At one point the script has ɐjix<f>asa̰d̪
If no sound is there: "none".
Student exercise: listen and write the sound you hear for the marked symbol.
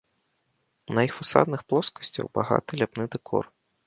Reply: f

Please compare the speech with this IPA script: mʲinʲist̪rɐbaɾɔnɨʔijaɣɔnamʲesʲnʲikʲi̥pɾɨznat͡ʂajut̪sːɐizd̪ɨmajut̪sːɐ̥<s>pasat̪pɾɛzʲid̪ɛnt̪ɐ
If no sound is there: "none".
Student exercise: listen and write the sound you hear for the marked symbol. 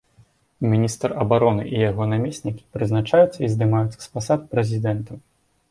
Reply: s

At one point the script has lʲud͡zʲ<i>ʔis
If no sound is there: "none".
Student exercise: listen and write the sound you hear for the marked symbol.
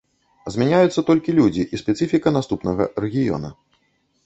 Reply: i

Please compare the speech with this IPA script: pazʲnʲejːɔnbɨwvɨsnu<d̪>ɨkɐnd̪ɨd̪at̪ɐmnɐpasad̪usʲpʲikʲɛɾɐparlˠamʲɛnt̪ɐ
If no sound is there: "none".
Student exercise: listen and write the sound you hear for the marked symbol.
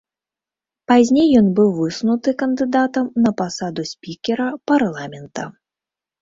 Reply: t̪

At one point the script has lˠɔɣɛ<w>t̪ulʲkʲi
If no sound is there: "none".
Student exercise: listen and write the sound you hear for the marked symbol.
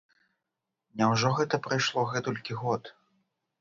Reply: none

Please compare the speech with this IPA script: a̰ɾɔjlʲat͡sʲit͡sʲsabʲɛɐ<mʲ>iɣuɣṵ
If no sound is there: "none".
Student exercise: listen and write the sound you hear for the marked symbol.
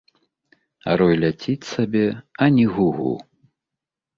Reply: nʲ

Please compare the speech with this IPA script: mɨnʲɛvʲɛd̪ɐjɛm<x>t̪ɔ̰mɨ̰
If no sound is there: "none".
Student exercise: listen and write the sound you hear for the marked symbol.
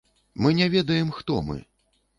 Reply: x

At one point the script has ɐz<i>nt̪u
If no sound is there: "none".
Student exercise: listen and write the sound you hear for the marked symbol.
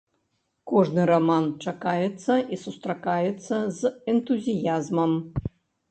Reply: ɛ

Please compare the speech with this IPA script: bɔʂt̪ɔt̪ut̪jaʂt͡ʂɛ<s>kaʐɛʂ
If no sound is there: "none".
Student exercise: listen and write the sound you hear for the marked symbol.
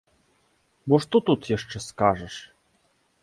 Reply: s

